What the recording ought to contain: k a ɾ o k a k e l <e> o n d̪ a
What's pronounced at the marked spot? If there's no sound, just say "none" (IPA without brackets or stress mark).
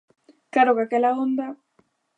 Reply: a